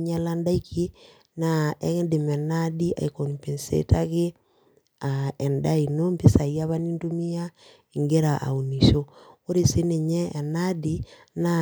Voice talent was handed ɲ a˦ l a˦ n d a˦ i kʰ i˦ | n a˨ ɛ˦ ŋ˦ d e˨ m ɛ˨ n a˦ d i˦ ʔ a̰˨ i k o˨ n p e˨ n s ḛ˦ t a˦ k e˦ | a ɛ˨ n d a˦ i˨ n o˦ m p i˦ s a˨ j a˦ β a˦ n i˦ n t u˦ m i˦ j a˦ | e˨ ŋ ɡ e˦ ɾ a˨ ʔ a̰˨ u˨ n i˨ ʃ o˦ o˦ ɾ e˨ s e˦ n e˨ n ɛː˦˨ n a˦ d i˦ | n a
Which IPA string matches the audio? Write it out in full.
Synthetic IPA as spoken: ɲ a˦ l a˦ n d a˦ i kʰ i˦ | n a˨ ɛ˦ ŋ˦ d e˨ m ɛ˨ n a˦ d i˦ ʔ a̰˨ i k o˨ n p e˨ n s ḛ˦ t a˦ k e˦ | a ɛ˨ n d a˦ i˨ n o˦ m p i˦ s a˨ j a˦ β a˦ n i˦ n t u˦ m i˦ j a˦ | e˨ ŋ ɡ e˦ ɾ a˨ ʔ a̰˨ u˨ n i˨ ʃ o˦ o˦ ɾ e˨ s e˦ n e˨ ɲ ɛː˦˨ n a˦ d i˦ | n a